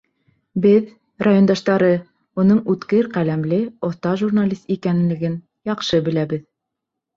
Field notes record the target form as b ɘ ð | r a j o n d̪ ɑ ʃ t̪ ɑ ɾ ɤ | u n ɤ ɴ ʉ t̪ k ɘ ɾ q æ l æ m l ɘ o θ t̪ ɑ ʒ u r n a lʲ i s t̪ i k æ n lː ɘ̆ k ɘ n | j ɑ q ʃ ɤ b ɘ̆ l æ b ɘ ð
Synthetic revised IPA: b ɘ ð | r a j o n d̪ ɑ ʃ t̪ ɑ ɾ ɤ | u n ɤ ɴ ʉ t̪ k ɘ ɾ q æ l æ m l ɘ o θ t̪ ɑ ʒ u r n a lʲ i s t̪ i k æ n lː ɘ̆ ɡ ɘ n | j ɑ q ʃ ɤ b ɘ̆ l æ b ɘ ð